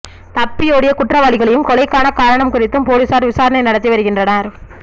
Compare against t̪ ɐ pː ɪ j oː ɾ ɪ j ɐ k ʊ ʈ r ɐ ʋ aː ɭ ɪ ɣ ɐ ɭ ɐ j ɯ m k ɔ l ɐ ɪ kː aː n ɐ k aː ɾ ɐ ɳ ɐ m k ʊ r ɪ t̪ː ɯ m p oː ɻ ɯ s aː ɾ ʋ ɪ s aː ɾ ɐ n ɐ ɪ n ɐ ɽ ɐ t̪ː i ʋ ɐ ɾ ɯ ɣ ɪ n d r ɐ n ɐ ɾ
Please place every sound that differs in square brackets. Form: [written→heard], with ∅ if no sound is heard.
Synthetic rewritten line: t̪ ɐ pː ɪ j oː [ɾ→ɽ] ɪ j ɐ k ʊ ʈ r ɐ ʋ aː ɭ ɪ ɣ ɐ ɭ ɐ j ɯ m k ɔ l ɐ ɪ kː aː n ɐ k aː ɾ ɐ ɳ ɐ m k ʊ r ɪ t̪ː ɯ m p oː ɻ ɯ s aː ɾ ʋ ɪ s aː ɾ ɐ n ɐ ɪ n ɐ ɽ ɐ t̪ː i ʋ ɐ ɾ ɯ ɣ ɪ n d r ɐ n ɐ ɾ